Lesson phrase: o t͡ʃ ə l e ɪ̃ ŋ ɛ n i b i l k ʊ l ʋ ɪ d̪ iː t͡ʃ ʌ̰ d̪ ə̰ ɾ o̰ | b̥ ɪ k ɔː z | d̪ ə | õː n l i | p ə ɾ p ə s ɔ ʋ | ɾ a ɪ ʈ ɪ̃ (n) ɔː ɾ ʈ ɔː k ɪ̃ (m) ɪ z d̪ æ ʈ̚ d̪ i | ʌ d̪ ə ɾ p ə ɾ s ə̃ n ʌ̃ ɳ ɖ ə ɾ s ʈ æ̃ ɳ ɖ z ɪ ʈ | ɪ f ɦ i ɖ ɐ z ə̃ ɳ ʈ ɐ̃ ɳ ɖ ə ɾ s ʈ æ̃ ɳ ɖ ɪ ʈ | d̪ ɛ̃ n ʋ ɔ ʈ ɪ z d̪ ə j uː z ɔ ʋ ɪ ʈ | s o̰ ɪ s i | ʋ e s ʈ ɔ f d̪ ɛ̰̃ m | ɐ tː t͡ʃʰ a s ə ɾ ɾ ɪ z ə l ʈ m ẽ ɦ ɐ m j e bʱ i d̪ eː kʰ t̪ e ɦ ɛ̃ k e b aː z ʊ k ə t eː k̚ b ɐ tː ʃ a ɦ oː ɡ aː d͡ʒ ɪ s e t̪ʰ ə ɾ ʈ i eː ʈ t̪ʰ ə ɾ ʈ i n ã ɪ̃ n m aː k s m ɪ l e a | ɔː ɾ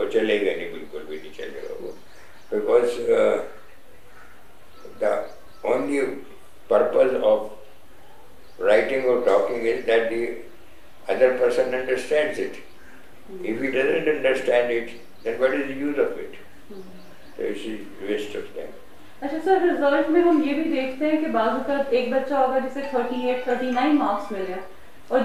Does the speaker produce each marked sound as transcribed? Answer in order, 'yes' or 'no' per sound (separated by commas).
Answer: no, no